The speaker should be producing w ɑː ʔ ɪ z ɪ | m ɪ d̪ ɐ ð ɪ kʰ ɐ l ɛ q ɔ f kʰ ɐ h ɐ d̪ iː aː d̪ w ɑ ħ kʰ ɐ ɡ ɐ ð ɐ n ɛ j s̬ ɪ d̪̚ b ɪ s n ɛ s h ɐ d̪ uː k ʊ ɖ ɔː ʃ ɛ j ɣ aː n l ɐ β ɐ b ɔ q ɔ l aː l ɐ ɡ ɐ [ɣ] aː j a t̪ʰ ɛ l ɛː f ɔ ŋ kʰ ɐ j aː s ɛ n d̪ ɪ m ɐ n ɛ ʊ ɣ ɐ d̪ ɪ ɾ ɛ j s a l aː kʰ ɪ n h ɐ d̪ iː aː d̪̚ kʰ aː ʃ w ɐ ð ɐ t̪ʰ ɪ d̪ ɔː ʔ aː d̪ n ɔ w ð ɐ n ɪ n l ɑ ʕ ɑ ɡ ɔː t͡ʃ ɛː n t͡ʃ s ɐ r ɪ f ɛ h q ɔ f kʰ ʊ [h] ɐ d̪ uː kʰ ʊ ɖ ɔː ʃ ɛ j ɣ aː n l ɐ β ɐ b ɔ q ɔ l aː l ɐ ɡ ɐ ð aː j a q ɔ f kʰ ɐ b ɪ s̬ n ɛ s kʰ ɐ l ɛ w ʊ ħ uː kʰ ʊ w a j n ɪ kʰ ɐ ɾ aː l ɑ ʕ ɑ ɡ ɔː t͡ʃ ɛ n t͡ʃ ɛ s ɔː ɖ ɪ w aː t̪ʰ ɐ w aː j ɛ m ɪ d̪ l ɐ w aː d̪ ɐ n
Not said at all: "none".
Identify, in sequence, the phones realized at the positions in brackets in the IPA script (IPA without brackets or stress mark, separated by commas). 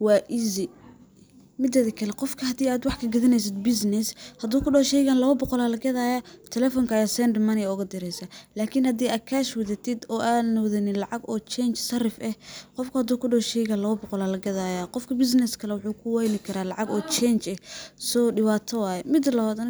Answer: ð, h